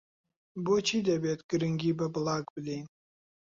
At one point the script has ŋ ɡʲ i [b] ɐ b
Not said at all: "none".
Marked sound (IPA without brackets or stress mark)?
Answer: b